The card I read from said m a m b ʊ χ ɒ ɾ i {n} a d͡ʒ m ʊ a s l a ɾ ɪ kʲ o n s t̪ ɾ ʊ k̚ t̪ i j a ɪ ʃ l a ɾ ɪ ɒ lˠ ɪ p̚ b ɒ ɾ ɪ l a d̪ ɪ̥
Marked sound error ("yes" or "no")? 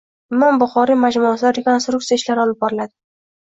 yes